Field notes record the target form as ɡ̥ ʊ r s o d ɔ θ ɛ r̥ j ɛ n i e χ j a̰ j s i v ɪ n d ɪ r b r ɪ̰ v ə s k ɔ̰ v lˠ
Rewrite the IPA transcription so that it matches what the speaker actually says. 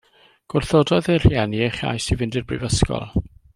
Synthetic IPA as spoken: ɡ̥ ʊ r θ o d ɔ ð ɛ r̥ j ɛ n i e χ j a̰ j s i v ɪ n d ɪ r b r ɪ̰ v ə s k ɔ̰ lˠ